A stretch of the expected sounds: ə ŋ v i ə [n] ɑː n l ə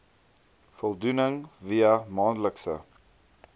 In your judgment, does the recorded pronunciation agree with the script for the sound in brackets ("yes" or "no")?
no